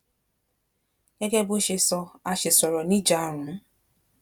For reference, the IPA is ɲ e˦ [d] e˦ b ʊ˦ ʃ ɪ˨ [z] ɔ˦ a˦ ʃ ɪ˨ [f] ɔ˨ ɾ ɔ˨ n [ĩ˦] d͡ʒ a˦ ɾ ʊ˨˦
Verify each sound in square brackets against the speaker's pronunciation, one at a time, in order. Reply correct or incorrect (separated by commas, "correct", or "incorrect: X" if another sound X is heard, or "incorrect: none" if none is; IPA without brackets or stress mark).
incorrect: ɡ, incorrect: s, incorrect: s, incorrect: i˦